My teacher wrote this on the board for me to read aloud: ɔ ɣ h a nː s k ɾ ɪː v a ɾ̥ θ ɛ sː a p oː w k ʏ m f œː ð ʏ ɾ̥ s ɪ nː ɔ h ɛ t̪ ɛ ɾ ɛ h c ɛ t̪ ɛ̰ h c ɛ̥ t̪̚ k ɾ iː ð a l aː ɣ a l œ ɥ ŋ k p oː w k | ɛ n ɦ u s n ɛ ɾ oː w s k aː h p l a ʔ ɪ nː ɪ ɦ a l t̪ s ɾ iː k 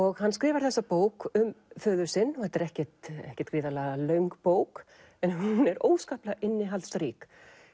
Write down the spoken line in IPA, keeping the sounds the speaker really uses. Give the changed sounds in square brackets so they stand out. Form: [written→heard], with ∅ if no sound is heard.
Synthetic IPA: ɔ ɣ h a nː s k ɾ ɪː v a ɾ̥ θ ɛ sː a p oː w k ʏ m f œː ð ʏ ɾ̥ s ɪ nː ɔ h ɛ t̪ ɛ ɾ ɛ h c ɛ t̪ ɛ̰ h c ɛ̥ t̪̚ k ɾ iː ð a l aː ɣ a l œ ɥ ŋ k p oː w k | ɛ n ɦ u [s→∅] n ɛ ɾ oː w s k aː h p l a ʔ ɪ nː ɪ ɦ a l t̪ s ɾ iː k